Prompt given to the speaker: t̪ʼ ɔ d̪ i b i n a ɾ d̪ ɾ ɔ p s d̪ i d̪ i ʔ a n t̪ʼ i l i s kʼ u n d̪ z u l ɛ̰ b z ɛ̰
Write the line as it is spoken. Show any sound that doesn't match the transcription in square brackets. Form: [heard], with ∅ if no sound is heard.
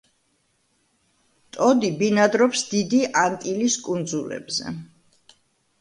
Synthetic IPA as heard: t̪ʼ ɔ d̪ i b i n a [∅] d̪ ɾ ɔ p s d̪ i d̪ i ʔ a n t̪ʼ i l i s kʼ u n d̪ z u l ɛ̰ b z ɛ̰